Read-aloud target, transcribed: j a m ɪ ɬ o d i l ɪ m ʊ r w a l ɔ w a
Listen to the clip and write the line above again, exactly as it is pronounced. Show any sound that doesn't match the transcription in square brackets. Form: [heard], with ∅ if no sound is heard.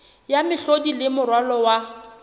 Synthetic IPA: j a m ɪ ɬ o d i l ɪ m ʊ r w a l ɔ w a